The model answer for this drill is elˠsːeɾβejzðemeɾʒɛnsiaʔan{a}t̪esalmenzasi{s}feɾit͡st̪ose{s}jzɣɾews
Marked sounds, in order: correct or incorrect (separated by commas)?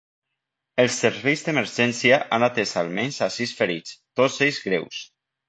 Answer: correct, correct, incorrect